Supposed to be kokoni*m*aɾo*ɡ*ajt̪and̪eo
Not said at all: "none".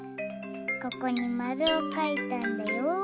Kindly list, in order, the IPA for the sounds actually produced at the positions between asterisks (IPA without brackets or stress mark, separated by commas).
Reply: m, k